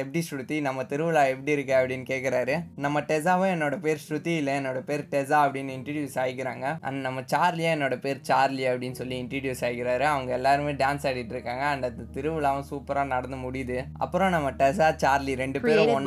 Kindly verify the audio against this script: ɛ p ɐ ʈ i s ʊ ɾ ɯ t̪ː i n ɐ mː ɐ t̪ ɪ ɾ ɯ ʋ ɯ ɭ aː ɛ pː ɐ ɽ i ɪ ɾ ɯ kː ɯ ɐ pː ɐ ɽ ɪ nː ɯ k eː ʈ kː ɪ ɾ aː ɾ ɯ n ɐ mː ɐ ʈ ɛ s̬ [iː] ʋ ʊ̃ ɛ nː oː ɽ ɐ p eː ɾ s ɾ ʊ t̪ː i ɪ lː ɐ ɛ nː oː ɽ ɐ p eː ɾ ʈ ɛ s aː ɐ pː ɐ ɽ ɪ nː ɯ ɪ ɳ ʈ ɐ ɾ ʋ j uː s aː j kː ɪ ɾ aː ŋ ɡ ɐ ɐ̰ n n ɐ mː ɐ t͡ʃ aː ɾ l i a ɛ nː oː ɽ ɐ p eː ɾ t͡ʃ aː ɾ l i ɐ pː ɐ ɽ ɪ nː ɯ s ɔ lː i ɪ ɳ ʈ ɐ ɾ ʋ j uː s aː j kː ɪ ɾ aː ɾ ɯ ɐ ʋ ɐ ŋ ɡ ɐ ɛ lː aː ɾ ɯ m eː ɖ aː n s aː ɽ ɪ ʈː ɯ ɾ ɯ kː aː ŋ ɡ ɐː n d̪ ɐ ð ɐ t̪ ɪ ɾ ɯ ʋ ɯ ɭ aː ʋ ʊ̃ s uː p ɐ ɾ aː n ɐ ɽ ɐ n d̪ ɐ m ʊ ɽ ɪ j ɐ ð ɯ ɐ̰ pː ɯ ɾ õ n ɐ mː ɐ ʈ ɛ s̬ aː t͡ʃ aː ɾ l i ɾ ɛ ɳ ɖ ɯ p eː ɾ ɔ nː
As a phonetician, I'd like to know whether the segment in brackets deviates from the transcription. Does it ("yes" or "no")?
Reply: yes